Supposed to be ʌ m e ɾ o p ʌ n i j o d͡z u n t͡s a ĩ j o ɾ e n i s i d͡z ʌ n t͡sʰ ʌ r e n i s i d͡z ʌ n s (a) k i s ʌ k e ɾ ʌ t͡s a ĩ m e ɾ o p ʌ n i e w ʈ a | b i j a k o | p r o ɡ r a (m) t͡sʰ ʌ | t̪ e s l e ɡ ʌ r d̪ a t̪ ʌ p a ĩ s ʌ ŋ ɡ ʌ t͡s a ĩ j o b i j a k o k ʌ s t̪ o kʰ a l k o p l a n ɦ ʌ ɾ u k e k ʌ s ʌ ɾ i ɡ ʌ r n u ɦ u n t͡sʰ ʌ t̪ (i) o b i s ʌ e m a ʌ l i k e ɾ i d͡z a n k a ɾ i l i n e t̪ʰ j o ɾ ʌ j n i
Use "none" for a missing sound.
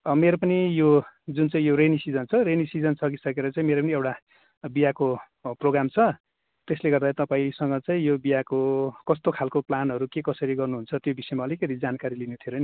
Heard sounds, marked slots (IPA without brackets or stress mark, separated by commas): ʌ, m, j